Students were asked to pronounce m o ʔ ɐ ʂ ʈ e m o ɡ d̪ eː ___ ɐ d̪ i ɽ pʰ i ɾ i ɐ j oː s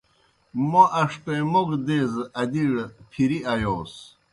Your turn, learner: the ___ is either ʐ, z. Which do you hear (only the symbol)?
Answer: z